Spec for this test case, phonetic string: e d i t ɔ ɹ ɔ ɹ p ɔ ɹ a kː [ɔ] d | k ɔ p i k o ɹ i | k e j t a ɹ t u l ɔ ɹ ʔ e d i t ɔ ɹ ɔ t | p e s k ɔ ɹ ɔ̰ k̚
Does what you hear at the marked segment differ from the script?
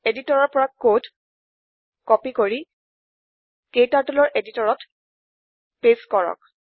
yes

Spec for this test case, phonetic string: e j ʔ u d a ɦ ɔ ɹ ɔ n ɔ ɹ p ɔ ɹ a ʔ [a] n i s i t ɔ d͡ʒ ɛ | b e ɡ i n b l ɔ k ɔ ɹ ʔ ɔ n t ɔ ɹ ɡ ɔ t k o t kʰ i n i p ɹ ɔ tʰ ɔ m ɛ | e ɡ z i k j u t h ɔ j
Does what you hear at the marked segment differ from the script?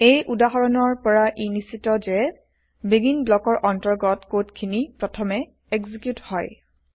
yes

